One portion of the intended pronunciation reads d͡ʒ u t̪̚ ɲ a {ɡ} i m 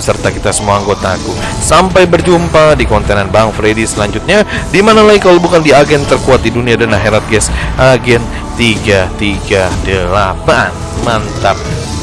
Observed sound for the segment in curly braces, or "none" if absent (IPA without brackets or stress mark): d